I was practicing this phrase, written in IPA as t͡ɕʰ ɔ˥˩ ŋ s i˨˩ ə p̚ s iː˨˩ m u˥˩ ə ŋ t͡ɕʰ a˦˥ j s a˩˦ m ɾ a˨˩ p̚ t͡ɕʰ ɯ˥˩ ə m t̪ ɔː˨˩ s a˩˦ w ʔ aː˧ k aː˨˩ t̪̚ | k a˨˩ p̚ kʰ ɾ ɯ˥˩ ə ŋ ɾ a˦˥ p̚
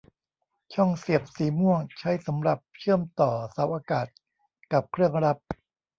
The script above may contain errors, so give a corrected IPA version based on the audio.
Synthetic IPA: t͡ɕʰ ɔ˥˩ ŋ s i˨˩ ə p̚ s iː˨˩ m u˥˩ ə ŋ t͡ɕʰ a˦˥ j s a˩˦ m ɾ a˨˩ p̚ t͡ɕʰ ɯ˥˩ ə m t̪ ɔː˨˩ s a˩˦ w ʔ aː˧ k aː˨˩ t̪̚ | k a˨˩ p̚ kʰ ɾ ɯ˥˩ ə ŋ ɾ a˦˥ p̚